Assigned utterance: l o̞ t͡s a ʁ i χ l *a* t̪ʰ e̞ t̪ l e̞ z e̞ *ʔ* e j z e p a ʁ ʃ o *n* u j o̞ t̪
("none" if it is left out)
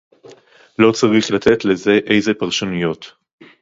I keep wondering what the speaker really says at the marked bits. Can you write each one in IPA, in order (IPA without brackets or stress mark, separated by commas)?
a, ʔ, n